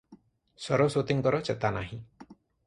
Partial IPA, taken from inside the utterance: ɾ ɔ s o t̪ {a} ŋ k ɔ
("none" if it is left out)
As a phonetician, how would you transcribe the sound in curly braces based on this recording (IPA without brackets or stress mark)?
i